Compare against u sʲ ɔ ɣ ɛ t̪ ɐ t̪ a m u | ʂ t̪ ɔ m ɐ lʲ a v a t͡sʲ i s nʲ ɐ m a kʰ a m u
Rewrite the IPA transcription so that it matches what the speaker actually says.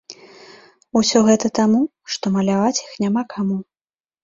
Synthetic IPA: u sʲ ɔ ɣ ɛ t̪ ɐ t̪ a m u | ʂ t̪ ɔ m ɐ lʲ a v a t͡sʲ i x nʲ a m a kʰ a m u